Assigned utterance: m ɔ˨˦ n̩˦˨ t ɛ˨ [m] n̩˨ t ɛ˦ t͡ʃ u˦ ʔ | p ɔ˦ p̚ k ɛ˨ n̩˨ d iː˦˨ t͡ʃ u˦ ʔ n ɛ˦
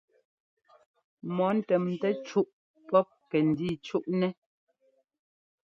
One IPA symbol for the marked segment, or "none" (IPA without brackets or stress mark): m